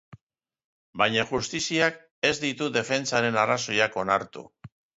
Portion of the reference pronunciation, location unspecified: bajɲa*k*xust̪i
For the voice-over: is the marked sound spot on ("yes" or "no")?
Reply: no